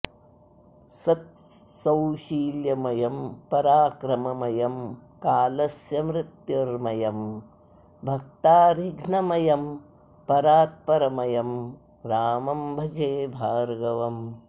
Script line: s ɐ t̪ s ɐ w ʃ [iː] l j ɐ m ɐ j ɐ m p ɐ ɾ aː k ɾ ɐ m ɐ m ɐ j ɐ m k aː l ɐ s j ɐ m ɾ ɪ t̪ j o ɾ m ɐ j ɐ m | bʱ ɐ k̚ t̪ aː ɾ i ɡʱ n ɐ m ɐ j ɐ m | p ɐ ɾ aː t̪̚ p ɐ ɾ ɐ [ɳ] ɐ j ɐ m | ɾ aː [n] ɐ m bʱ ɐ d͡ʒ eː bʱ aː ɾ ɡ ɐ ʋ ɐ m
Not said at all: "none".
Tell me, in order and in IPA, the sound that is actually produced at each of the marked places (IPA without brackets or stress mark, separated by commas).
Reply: iː, m, m